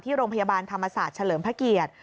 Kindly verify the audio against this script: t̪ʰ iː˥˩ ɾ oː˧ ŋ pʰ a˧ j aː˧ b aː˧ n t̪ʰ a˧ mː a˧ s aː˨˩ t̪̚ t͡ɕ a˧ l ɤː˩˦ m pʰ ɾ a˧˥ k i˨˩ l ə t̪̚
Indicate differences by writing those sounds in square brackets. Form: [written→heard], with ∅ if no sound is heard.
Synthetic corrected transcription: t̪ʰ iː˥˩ ɾ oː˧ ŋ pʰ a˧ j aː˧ b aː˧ n t̪ʰ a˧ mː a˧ s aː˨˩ t̪̚ [t͡ɕ→t͡ɕʰ] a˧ l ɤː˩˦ m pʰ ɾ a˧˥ k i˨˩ [l→∅] ə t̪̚